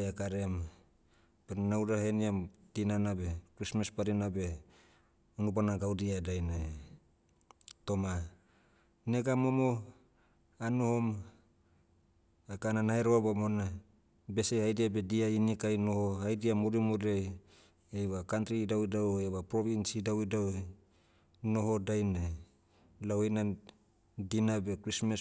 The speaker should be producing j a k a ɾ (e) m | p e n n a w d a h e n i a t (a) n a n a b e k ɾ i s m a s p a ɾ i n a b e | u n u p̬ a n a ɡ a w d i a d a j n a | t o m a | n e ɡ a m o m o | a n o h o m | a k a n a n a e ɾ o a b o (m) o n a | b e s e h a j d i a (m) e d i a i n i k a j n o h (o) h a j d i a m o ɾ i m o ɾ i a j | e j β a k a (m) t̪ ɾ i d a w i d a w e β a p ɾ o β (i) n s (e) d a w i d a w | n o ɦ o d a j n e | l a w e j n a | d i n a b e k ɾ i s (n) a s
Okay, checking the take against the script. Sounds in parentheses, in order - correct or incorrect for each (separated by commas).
correct, incorrect, correct, incorrect, correct, incorrect, correct, incorrect, incorrect